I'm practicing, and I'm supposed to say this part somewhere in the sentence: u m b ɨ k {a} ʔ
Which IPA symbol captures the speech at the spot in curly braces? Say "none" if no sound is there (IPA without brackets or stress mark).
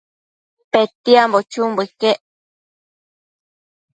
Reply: e